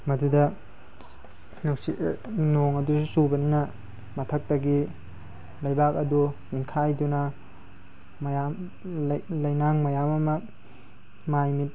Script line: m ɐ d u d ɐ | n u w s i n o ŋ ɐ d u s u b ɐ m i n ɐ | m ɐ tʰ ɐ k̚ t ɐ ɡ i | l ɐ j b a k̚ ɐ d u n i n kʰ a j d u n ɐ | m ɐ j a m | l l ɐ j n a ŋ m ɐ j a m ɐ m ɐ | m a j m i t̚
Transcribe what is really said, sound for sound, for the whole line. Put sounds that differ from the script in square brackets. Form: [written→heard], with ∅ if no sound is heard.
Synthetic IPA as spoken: m ɐ d u d ɐ | n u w s i n o ŋ ɐ d u s u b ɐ [m→n] i n ɐ | m ɐ tʰ ɐ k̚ t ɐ ɡ i | l ɐ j b a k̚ ɐ d u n i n kʰ a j d u n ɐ | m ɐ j a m | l l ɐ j n a ŋ m ɐ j a m ɐ m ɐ | m a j m i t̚